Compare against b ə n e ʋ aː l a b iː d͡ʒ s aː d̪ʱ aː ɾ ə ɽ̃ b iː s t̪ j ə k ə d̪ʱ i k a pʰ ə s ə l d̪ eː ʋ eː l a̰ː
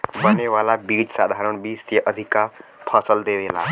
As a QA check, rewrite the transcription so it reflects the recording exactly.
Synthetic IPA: b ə n e ʋ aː l a b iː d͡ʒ s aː d̪ʱ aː ɾ ə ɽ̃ b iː s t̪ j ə ʔ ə d̪ʱ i k a pʰ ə s ə l d̪ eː ʋ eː l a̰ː